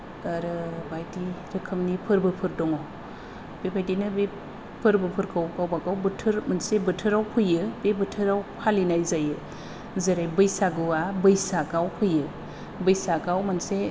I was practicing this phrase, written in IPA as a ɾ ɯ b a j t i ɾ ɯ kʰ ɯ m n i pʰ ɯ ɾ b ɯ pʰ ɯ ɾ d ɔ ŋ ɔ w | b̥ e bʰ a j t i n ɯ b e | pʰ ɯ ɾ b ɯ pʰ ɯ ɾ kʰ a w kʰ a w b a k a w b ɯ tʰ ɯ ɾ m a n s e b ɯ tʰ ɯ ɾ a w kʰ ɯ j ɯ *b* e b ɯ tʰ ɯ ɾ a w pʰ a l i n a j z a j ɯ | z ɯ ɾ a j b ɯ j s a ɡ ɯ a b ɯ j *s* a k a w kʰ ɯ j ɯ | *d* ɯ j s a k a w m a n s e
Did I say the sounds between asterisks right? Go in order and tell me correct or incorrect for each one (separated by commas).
correct, correct, incorrect